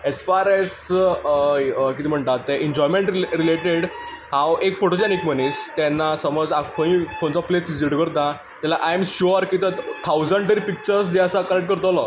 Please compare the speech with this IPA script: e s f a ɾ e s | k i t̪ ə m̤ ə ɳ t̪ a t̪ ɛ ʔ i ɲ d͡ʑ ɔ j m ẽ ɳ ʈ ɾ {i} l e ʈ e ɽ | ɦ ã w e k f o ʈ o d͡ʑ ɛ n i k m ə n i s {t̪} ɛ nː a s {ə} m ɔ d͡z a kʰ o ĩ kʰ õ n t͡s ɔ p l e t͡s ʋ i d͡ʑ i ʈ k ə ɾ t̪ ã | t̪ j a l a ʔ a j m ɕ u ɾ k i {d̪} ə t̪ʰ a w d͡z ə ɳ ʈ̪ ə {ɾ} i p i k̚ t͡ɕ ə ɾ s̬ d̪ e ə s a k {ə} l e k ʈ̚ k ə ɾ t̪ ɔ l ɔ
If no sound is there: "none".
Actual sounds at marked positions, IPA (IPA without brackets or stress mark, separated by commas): i, t̪, ə, t̪, ɾ, ə